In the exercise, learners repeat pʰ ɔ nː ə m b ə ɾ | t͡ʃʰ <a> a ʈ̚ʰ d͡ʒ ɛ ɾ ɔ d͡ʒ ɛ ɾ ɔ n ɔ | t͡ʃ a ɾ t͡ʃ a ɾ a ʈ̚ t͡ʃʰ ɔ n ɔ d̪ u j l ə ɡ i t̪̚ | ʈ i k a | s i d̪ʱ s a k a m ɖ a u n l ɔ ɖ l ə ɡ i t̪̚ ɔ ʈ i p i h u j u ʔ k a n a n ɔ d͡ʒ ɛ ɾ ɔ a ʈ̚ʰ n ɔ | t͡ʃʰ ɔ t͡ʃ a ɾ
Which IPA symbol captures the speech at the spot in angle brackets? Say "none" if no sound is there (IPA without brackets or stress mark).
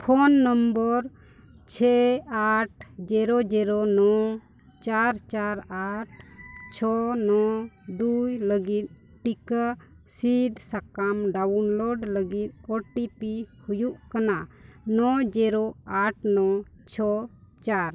ɛ